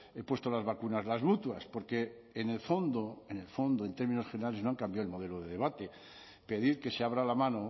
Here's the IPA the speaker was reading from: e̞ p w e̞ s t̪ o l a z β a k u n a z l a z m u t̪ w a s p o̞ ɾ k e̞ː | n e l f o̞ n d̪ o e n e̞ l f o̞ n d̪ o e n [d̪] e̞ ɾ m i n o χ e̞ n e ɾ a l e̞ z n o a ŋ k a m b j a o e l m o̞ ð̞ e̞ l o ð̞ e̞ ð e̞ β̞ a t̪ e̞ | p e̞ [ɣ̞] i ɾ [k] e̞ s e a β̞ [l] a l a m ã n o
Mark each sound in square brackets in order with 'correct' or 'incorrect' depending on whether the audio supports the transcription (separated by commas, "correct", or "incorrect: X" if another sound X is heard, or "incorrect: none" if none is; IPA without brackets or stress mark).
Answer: incorrect: t̪, incorrect: ð̞, correct, incorrect: ɾ